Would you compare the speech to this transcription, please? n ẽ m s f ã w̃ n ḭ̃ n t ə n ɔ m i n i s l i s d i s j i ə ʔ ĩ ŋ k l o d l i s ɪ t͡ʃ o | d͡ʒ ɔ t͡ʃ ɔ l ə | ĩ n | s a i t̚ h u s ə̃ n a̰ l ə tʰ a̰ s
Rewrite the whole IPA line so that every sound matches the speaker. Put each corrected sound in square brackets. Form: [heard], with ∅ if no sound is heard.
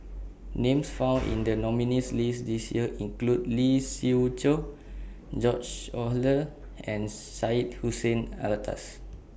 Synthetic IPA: n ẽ m s f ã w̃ n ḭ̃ n [d] ə n ɔ m i n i s l i s d i s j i ə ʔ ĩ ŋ k l [u] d l i s [i] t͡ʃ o | d͡ʒ ɔ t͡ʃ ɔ l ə | [ɛ̃] n | s a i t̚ h u s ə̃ n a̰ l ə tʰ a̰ s